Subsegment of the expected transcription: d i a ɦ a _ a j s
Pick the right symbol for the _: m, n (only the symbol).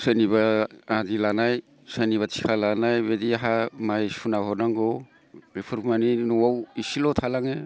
m